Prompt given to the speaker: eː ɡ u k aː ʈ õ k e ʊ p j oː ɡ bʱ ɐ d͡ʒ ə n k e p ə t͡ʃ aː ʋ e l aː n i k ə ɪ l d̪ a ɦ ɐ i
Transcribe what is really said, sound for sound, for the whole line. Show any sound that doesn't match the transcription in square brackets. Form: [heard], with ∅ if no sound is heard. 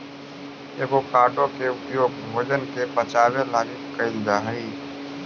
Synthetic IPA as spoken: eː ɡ [o] k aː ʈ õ k e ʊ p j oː ɡ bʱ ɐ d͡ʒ ə n k e p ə t͡ʃ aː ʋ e l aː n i k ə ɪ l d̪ a ɦ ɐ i